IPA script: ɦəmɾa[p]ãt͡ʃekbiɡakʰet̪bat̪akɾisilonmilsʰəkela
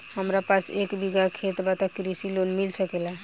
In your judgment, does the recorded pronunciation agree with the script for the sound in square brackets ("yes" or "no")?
yes